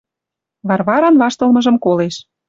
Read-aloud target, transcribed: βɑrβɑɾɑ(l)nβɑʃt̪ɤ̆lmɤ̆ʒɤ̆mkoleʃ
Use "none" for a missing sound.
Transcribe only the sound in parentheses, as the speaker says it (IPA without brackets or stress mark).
none